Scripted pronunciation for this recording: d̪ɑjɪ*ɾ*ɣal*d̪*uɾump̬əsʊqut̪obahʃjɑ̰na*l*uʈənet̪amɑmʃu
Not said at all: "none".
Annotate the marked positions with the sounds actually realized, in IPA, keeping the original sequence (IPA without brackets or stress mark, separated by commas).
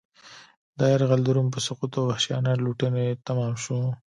ɾ, d̪, l